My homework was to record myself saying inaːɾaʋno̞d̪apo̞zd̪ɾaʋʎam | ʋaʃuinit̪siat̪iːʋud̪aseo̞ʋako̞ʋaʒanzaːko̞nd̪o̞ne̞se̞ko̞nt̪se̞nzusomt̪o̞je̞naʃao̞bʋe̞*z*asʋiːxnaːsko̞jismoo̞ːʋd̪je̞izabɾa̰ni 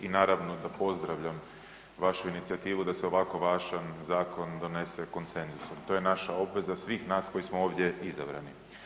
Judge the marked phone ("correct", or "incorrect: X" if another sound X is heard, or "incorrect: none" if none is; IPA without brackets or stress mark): correct